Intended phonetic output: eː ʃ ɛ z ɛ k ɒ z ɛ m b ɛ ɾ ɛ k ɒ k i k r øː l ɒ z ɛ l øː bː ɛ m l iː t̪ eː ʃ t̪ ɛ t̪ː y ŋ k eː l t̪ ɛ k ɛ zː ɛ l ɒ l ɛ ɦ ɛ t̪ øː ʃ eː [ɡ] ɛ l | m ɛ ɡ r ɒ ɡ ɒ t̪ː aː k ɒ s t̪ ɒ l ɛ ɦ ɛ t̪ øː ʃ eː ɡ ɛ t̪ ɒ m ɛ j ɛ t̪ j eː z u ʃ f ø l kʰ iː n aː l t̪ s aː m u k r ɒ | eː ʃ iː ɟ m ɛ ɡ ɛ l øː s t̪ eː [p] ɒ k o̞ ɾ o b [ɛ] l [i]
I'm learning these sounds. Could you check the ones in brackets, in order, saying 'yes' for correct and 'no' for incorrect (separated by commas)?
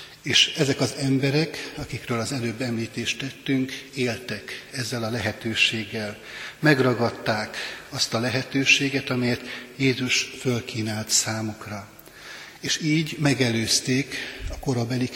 no, no, yes, yes